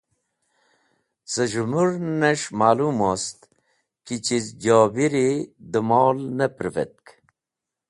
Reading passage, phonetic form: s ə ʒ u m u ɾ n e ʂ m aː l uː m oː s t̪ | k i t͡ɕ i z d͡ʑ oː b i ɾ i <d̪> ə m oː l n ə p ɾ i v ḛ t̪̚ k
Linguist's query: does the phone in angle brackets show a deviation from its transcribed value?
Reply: no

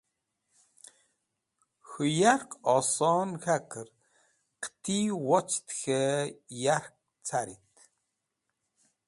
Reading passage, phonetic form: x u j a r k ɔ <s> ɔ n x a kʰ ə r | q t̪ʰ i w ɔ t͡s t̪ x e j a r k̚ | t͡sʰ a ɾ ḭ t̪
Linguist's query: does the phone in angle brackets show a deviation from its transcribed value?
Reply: no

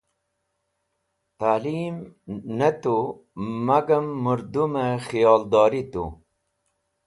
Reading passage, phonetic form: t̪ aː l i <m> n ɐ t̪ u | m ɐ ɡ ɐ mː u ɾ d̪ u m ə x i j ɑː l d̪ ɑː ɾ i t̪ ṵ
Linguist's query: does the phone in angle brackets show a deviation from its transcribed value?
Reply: no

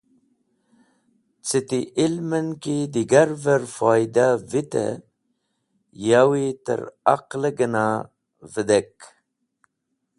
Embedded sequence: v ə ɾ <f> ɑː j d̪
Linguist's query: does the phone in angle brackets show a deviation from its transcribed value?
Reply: no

